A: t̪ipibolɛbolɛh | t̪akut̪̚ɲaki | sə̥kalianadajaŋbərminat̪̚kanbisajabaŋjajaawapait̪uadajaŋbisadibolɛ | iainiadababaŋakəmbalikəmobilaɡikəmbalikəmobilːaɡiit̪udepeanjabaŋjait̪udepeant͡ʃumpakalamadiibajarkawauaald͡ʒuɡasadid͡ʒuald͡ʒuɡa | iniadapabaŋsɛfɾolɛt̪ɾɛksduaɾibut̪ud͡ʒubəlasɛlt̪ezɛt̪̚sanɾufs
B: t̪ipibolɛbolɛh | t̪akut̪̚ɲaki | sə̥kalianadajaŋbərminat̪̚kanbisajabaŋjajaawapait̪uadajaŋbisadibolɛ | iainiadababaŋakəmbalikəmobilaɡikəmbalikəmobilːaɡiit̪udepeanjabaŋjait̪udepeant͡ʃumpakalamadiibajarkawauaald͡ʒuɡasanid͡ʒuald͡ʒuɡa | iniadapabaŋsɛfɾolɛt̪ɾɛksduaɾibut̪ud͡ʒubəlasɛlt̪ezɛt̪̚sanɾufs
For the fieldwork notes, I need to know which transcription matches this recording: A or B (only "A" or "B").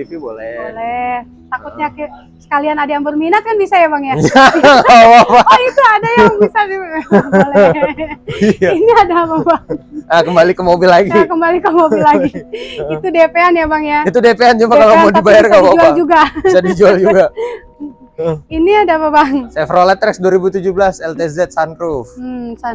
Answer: A